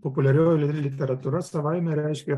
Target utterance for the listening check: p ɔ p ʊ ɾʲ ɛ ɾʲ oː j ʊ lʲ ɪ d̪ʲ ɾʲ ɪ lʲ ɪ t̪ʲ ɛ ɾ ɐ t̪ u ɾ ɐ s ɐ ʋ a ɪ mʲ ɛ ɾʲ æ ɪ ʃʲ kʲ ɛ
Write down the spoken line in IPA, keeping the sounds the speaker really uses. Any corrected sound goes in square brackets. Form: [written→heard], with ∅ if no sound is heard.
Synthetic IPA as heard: p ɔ p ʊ [ɾʲ→lʲ] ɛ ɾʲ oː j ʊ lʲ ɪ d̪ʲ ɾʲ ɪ lʲ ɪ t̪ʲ ɛ ɾ ɐ t̪ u ɾ ɐ s ɐ ʋ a ɪ mʲ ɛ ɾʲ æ ɪ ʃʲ kʲ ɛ